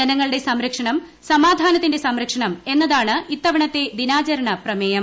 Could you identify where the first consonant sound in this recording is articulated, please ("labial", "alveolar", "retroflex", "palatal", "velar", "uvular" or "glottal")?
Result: alveolar